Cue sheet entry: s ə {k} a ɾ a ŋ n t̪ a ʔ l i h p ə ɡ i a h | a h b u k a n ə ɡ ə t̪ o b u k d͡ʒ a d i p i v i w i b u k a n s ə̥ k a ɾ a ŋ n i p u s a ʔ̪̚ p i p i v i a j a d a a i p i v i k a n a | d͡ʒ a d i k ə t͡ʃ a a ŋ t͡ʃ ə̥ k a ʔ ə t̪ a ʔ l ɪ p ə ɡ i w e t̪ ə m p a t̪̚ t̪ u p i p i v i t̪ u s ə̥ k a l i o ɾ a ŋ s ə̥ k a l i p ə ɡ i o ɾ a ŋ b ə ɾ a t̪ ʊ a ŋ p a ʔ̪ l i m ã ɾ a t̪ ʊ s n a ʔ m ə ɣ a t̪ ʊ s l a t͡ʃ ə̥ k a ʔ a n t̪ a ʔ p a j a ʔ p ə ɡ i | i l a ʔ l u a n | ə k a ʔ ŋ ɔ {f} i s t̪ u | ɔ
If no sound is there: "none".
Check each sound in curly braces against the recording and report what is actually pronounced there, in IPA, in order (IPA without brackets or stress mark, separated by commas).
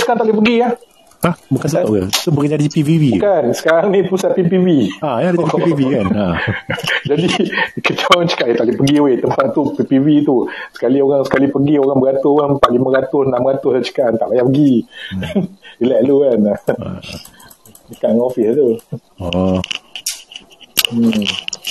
k, f